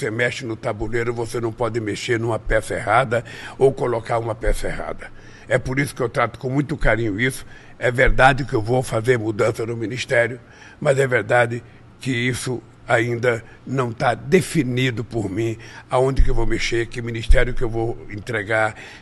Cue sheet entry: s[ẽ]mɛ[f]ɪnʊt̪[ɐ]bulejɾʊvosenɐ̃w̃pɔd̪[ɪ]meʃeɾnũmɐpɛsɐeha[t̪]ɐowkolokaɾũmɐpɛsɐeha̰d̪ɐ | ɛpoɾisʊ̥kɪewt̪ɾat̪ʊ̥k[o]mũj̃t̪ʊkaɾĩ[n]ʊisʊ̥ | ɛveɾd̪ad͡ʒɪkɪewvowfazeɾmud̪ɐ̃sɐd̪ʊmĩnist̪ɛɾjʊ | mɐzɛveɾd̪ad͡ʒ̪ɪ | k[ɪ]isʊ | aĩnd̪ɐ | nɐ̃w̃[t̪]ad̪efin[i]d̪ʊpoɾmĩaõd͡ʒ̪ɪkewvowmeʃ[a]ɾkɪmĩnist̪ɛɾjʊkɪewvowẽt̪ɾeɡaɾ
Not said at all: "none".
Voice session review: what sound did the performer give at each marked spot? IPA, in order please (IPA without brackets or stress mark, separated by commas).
e, ʃ, a, ɪ, d̪, õ, ɲ, ɪ, t̪, i, e